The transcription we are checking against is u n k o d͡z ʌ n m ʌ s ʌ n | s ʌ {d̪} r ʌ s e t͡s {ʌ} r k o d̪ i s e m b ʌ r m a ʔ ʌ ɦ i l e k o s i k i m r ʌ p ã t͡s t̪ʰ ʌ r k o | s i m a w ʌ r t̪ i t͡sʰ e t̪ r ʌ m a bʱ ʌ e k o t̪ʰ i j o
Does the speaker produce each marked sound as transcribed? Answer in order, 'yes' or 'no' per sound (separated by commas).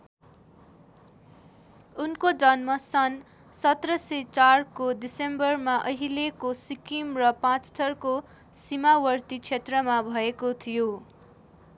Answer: no, no